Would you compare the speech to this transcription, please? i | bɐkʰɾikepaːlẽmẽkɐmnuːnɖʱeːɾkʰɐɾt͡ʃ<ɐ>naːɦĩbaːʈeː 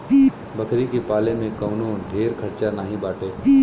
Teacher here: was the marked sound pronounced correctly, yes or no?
no